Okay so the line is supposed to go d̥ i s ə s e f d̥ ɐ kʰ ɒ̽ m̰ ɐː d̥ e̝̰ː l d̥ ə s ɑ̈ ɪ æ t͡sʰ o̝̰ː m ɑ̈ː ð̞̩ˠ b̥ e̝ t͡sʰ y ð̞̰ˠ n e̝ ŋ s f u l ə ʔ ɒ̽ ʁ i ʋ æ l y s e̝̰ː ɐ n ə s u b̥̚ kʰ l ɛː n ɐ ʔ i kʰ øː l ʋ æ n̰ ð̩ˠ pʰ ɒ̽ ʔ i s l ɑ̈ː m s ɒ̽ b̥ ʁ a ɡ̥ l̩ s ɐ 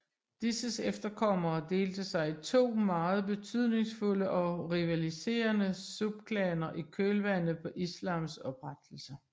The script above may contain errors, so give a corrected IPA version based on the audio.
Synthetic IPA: d̥ i s ə s e f d̥ ɐ kʰ ɒ̽ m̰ ɐː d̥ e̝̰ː l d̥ ə s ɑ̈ ɪ i t͡sʰ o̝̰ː m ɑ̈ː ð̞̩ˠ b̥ e̝ t͡sʰ y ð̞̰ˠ n e̝ ŋ s f u l ə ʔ ɒ̽ ʁ i ʋ æ l i s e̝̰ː ɐ n ə s u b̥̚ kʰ l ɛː n ɐ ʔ i kʰ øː l ʋ æ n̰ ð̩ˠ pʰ ɒ̽ ʔ i s l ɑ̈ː m s ɒ̽ b̥ ʁ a d̥ l̩ s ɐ